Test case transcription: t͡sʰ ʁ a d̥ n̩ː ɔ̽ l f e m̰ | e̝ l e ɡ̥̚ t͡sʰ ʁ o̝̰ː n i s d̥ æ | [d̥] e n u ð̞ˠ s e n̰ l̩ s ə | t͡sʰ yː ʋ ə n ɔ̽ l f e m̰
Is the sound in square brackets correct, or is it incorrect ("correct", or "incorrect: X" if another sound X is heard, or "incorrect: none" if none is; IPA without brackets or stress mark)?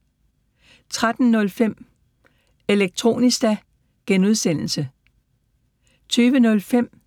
incorrect: ɡ̥